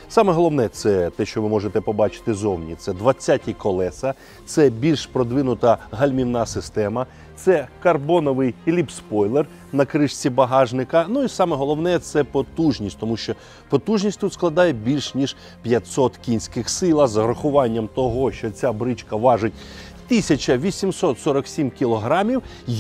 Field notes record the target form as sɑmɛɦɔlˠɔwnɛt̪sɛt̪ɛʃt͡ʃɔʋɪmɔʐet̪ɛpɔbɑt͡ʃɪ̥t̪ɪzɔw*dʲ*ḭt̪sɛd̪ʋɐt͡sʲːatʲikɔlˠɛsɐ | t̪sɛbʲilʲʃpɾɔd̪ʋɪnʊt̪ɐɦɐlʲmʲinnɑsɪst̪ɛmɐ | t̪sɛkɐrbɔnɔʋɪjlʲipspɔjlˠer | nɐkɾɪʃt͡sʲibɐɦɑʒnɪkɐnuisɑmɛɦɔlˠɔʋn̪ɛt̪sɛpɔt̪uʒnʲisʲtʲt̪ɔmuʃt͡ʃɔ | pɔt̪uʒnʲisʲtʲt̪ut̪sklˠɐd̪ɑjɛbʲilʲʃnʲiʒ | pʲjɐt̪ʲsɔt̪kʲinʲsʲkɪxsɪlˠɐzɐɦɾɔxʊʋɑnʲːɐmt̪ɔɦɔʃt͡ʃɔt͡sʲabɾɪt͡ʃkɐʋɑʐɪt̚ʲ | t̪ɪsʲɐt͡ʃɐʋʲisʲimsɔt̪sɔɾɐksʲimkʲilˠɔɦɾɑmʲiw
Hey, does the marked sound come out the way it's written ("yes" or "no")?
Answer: no